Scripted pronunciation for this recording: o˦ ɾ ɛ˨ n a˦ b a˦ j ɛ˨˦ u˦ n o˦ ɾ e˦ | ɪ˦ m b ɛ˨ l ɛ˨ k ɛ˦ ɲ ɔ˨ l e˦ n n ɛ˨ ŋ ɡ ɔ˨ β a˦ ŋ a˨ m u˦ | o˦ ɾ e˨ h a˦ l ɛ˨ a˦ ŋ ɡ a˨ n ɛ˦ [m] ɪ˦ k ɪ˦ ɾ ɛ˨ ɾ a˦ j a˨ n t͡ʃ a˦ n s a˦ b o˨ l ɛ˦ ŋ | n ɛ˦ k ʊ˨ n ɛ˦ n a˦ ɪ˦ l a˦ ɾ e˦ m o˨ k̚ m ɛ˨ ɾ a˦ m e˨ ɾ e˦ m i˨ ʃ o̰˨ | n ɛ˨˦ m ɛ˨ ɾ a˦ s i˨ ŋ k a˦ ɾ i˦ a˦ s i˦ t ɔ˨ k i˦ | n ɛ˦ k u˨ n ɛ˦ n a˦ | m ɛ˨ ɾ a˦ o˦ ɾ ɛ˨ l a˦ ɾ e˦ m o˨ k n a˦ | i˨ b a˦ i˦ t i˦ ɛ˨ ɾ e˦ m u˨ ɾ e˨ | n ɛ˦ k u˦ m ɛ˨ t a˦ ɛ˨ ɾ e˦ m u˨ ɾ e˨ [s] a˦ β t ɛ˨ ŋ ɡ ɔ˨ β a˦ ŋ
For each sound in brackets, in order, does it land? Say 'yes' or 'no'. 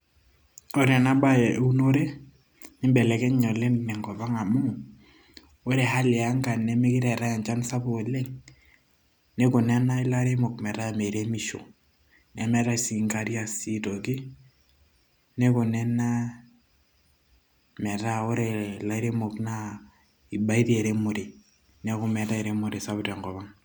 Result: yes, yes

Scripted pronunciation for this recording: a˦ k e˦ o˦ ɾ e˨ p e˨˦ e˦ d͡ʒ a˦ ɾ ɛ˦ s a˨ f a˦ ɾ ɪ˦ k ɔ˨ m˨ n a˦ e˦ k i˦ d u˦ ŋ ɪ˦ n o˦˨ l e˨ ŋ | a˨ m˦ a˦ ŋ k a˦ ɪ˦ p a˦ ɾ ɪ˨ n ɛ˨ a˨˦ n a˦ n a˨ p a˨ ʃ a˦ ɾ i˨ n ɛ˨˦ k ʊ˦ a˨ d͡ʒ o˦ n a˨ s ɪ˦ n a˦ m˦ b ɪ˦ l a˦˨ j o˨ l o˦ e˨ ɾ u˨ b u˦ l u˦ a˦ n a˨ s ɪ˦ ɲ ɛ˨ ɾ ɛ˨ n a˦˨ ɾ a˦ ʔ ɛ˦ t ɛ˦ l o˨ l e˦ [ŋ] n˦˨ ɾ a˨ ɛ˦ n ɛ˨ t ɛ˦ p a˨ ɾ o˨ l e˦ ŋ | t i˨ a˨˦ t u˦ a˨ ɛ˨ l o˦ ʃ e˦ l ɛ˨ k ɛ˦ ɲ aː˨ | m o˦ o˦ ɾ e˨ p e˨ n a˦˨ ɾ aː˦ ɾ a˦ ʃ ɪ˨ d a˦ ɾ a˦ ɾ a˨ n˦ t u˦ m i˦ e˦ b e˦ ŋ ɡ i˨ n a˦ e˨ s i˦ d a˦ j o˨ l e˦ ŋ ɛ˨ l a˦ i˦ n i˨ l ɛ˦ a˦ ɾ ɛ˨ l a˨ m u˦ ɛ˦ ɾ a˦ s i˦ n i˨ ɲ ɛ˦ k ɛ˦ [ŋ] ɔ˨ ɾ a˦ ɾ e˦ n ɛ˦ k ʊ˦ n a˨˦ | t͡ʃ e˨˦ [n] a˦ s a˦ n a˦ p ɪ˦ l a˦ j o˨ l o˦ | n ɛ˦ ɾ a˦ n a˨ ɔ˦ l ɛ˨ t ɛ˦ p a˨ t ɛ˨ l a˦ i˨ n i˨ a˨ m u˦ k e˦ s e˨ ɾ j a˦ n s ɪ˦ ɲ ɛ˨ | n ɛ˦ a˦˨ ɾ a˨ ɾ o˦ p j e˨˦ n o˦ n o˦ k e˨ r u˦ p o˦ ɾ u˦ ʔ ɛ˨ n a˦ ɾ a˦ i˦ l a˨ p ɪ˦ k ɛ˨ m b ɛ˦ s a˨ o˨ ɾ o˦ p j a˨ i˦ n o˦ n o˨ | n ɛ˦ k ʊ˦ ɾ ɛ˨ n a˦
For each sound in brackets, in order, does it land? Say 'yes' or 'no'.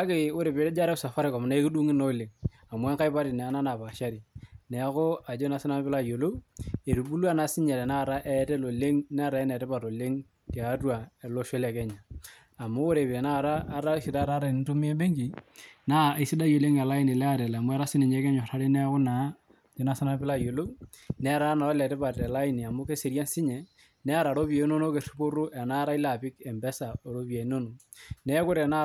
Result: yes, no, yes

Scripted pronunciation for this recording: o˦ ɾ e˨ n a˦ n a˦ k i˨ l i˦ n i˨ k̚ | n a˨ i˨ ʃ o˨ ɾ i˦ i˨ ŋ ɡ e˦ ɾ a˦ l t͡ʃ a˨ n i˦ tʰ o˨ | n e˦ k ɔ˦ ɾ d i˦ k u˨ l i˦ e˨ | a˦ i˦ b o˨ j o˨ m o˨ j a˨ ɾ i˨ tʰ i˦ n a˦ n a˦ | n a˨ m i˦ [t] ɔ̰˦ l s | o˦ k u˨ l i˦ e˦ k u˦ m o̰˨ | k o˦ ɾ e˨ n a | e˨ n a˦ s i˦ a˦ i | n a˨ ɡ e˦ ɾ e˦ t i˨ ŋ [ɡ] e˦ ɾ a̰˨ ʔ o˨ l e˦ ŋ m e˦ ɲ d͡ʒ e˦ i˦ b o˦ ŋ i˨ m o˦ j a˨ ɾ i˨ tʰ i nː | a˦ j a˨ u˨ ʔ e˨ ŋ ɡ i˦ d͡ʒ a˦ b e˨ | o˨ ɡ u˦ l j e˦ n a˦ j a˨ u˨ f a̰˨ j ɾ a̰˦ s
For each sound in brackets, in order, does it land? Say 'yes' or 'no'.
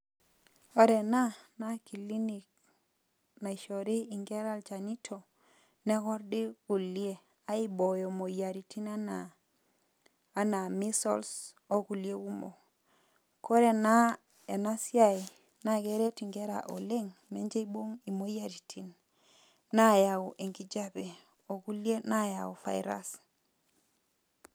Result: no, yes

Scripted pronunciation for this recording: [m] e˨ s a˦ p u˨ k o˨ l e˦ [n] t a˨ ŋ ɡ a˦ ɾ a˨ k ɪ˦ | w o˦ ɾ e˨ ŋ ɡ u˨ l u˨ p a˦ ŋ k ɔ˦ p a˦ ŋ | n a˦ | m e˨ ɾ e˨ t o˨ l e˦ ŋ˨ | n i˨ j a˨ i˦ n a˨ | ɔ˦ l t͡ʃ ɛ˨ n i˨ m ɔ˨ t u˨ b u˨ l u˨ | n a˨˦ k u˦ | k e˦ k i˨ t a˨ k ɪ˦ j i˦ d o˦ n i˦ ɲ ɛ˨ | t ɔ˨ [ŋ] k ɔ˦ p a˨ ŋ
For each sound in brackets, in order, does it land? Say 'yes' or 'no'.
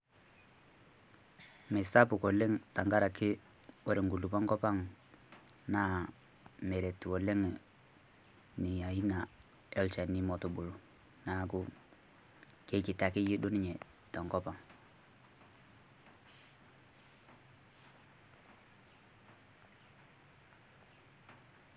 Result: yes, no, yes

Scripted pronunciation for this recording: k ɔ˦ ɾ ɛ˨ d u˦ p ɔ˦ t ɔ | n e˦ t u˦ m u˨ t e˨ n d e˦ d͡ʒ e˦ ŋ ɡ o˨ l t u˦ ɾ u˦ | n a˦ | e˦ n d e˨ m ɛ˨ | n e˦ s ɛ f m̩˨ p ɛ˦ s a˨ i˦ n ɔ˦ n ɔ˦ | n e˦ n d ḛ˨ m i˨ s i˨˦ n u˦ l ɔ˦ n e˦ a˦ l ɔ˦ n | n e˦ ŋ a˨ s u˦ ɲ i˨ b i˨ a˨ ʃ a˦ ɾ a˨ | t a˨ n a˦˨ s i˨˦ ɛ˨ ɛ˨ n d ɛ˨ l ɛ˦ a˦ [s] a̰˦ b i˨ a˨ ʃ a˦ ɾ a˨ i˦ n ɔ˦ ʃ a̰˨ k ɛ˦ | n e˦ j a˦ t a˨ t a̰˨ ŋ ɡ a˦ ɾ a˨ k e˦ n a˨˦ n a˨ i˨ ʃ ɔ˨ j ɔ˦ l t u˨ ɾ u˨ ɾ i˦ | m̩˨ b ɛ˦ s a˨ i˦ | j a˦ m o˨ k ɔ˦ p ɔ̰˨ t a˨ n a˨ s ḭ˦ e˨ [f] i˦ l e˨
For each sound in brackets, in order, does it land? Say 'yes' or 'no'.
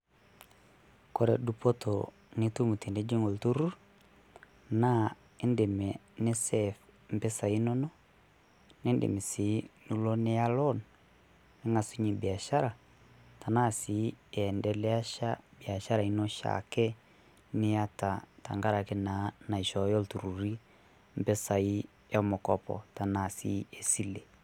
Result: no, no

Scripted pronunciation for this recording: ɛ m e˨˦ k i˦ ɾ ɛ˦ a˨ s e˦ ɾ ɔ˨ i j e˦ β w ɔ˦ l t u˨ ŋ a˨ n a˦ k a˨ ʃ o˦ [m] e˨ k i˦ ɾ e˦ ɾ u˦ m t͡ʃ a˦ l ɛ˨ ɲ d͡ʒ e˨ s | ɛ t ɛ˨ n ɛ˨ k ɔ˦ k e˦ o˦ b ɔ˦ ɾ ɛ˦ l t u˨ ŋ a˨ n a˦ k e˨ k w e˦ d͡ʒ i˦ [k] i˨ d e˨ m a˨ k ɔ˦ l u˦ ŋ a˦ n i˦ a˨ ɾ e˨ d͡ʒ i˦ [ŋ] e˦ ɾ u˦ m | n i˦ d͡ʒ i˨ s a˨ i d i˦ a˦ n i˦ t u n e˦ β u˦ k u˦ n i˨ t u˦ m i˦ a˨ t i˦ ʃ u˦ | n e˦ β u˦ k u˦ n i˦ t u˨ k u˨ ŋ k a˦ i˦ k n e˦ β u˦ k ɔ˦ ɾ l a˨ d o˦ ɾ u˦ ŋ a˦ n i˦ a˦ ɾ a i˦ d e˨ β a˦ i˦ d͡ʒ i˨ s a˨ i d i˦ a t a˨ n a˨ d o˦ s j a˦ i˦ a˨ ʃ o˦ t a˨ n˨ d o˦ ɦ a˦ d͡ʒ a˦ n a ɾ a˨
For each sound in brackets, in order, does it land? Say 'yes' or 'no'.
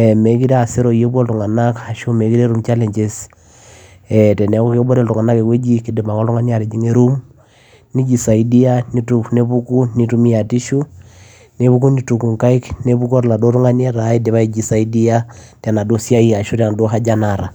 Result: yes, yes, yes

